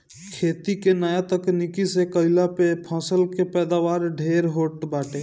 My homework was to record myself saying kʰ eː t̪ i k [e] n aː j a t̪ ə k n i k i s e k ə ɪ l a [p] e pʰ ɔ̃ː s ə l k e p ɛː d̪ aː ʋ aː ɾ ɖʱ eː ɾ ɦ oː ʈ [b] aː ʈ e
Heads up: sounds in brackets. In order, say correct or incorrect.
correct, correct, correct

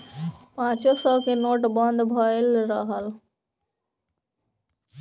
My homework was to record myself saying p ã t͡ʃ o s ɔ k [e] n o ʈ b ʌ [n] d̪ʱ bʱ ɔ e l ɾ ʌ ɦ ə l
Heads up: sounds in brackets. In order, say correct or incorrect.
correct, correct

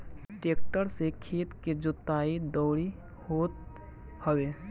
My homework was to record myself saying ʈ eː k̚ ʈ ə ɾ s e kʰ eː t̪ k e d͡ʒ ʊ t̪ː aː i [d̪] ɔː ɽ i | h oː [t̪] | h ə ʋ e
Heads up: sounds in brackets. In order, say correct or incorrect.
correct, correct

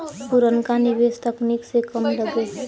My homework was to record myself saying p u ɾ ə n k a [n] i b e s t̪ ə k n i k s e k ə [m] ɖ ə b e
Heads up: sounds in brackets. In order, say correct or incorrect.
correct, correct

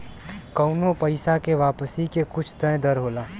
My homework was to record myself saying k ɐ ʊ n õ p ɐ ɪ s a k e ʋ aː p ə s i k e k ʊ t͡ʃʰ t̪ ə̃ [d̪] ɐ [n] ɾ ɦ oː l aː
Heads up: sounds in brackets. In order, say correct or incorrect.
correct, incorrect: none

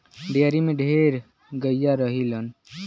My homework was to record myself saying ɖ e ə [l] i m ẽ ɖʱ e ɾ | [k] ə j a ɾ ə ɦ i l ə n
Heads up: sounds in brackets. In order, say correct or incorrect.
incorrect: ɾ, incorrect: ɡ

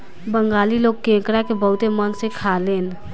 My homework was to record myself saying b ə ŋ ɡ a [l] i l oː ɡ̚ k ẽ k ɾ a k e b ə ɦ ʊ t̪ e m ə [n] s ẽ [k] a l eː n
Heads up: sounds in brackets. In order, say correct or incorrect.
correct, correct, incorrect: kʰ

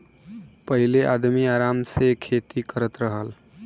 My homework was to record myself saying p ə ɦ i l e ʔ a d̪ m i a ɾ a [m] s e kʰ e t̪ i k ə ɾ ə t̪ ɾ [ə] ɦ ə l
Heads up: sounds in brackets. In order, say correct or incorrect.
correct, correct

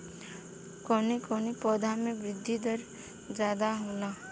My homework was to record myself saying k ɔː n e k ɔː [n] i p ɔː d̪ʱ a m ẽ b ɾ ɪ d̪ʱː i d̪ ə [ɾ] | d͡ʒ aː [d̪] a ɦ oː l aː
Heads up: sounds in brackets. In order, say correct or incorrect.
correct, correct, correct

